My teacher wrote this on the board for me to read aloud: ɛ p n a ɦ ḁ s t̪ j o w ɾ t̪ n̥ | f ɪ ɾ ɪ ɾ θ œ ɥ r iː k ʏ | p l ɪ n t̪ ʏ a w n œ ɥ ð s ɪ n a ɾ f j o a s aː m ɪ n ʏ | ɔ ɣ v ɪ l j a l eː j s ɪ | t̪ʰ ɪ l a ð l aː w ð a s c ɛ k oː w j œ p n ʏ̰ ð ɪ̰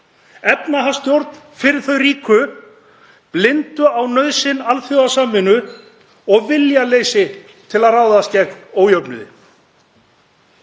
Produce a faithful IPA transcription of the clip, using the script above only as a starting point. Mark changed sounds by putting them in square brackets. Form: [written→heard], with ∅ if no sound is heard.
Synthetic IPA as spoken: ɛ p n a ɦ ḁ s t̪ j o w ɾ t̪ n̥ | f ɪ ɾ ɪ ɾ θ œ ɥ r iː k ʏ | p l ɪ n t̪ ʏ a w n œ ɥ ð s ɪ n a [ɾ→l] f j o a s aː m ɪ n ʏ | ɔ ɣ v ɪ l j a l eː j s ɪ | t̪ʰ ɪ l a ð [l→r] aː w ð a s c ɛ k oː w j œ p n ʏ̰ ð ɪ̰